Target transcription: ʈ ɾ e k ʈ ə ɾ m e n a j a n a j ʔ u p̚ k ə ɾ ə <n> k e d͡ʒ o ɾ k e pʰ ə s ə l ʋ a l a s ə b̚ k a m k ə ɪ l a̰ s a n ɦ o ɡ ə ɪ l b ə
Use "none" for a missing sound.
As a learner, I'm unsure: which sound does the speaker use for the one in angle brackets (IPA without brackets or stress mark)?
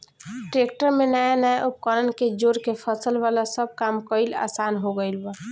n